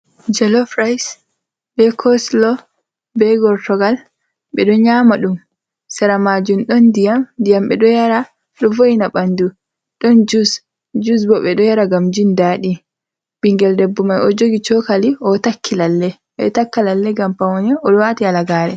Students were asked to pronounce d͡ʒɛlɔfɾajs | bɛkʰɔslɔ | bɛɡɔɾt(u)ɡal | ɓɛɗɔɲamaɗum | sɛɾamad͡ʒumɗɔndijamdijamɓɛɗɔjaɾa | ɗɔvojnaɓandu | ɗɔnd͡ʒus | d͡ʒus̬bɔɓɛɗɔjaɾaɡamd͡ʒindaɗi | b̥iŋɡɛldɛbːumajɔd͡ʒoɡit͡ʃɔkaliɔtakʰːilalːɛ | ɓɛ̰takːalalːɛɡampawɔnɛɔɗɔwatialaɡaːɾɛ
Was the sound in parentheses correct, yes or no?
no